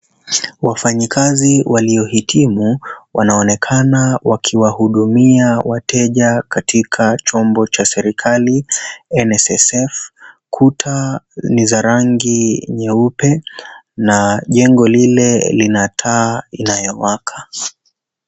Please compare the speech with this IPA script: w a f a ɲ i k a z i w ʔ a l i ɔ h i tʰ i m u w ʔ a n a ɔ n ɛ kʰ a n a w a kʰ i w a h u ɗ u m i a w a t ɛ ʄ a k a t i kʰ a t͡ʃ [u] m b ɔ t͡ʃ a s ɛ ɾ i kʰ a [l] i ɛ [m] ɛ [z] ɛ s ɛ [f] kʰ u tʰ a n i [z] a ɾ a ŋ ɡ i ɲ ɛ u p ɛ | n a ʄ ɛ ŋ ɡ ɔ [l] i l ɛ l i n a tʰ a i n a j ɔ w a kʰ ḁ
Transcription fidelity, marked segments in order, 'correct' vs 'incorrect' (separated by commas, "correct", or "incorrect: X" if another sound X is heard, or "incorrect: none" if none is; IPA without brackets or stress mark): incorrect: ɔ, correct, incorrect: n, incorrect: s, correct, correct, correct